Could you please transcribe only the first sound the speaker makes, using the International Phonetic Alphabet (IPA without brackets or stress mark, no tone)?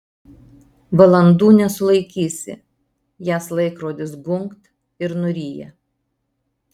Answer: ʋ